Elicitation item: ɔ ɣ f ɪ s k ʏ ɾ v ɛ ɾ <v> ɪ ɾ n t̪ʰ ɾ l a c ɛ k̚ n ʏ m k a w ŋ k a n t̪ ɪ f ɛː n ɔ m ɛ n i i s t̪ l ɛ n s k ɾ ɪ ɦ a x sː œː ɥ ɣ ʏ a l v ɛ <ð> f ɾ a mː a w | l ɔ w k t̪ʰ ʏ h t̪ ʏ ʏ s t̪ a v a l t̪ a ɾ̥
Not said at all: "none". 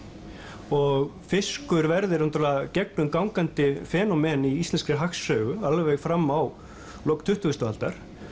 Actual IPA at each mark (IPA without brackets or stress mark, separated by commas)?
ð, ɣ